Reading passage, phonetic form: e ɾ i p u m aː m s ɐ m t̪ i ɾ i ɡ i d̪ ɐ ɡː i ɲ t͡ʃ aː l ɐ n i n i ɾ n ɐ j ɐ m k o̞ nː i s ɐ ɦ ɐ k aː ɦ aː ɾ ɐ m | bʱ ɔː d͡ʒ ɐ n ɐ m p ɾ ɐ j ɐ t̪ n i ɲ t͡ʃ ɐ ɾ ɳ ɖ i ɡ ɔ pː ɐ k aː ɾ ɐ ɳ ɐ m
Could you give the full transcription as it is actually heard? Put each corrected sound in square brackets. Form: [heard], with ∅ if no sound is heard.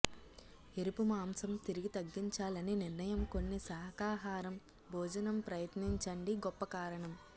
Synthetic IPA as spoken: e ɾ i p u m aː m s ɐ m t̪ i ɾ i ɡ i [t̪] ɐ ɡː i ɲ t͡ʃ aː l ɐ n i n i ɾ n ɐ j ɐ m k o̞ nː i s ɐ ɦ ɐ k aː ɦ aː ɾ ɐ m | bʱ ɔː d͡ʒ ɐ n ɐ m p ɾ ɐ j ɐ t̪ n i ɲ t͡ʃ ɐ [∅] ɳ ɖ i ɡ ɔ pː ɐ k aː ɾ ɐ ɳ ɐ m